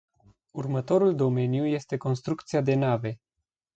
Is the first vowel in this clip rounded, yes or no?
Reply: yes